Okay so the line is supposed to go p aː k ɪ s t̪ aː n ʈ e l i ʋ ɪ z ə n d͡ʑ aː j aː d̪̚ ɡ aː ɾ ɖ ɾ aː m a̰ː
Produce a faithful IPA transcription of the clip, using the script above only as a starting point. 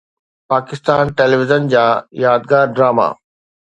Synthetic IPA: p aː k ɪ s t̪ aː n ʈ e l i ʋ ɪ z ə n d͡ʑ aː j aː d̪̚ ɡ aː ɾ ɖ ɾ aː m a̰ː